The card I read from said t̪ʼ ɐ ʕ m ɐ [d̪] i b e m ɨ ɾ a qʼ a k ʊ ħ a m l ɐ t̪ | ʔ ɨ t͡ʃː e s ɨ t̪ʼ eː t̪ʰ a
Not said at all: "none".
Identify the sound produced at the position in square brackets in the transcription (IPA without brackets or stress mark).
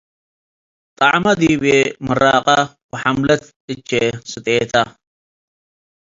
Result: d̪